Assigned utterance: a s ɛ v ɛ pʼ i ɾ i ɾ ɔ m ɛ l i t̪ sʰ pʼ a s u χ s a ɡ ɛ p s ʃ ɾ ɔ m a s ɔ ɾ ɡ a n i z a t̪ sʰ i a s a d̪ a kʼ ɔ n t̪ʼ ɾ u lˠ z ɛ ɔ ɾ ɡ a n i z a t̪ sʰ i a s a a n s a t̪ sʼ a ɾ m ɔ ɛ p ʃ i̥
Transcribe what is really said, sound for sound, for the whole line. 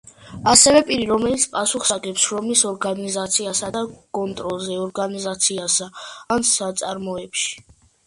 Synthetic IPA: a s ɛ v ɛ pʼ i ɾ i ɾ ɔ m ɛ l i t̪ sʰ pʼ a s u χ s a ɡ ɛ p s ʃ ɾ ɔ m i s ɔ ɾ ɡ a n i z a t̪ sʰ i a s a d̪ a kʼ ɔ n t̪ʼ ɾ ɔ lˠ z ɛ ɔ ɾ ɡ a n i z a t̪ sʰ i a s a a n s a t̪ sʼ a ɾ m ɔ ɛ p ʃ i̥